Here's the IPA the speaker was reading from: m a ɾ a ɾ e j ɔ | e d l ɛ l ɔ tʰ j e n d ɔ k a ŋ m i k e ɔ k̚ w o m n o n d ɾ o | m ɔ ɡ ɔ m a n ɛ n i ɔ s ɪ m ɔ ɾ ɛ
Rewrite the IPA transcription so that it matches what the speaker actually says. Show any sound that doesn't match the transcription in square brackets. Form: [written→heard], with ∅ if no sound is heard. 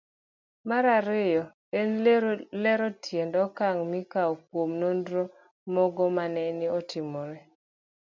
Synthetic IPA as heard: m a ɾ a ɾ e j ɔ | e [d→n] l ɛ [l→ɾ] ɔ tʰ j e n d ɔ k a ŋ m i k [e→a] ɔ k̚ w o m n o n d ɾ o | m ɔ ɡ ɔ m a n ɛ n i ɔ [s→t] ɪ m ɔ ɾ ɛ